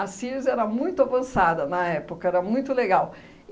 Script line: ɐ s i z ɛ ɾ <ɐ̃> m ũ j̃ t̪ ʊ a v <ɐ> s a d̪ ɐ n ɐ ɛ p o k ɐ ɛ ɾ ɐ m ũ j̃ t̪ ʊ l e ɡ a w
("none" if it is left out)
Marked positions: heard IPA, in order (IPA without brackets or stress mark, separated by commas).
ɐ, ɐ̃